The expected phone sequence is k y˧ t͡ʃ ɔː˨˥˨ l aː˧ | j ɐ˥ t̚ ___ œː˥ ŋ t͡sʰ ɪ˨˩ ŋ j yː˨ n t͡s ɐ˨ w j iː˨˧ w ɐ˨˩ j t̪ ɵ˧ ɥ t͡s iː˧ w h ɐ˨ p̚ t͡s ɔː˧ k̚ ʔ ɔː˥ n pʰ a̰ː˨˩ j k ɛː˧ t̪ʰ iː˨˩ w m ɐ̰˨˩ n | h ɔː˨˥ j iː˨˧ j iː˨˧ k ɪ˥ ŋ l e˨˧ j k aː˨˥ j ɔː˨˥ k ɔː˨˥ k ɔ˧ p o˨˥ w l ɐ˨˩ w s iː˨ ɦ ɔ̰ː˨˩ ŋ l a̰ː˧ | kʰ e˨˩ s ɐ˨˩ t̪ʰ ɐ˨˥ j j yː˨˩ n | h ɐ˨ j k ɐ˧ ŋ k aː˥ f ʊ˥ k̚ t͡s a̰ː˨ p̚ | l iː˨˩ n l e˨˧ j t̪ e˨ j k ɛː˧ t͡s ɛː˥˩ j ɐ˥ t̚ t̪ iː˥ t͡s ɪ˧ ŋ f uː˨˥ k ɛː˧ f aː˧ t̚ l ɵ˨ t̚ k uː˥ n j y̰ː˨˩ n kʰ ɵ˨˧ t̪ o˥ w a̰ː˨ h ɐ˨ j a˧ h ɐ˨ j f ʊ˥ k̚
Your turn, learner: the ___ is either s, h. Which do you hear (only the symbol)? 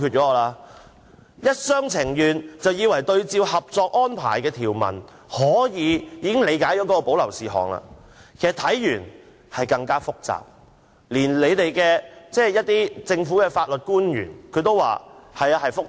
s